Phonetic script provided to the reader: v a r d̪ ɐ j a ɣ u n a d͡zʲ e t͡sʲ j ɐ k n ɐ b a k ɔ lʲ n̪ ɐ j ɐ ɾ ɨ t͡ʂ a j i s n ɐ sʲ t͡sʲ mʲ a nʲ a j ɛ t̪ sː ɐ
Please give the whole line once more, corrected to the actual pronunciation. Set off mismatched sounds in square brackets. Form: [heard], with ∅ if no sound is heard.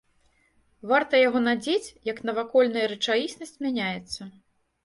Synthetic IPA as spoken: v a r [t̪] ɐ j a ɣ [ɔ] n a d͡zʲ e t͡sʲ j ɐ k n ɐ [v] a k ɔ lʲ n̪ ɐ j ɐ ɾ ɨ t͡ʂ a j i s n ɐ sʲ t͡sʲ mʲ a nʲ a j ɛ t̪ sː ɐ